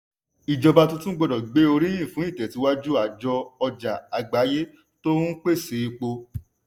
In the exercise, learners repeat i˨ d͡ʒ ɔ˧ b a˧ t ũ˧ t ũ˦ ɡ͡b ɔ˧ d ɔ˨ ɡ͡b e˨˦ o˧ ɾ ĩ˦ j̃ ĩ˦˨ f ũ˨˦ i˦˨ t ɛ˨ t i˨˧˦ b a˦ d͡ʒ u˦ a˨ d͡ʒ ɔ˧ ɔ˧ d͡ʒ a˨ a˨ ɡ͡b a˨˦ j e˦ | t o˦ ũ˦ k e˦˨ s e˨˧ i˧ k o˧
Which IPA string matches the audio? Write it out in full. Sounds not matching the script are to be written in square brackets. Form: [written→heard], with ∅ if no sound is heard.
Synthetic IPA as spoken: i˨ d͡ʒ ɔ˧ b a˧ t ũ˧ t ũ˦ ɡ͡b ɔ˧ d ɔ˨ ɡ͡b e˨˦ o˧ ɾ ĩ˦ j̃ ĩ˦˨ f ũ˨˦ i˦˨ t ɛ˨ t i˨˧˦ [b→w] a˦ d͡ʒ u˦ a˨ d͡ʒ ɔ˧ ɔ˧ d͡ʒ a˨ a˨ ɡ͡b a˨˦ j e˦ | t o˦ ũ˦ [k→k͡p] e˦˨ s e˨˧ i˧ [k→k͡p] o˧